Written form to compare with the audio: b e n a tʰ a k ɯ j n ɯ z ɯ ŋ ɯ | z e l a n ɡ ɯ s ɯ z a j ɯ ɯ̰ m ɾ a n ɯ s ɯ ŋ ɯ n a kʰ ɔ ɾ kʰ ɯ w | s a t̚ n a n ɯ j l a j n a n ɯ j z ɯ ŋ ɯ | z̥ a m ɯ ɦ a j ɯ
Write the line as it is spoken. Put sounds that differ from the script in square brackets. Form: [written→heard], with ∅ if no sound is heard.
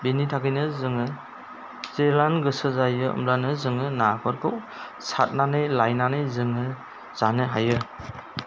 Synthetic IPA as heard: b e n [a→i] tʰ a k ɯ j n ɯ z ɯ ŋ ɯ | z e l a n ɡ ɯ s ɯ z a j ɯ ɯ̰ m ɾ a n ɯ [s→z] ɯ ŋ ɯ n a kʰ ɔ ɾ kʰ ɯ w | s a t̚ n a n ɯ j l a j n a n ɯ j z ɯ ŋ ɯ | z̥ a [m→n] ɯ ɦ a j ɯ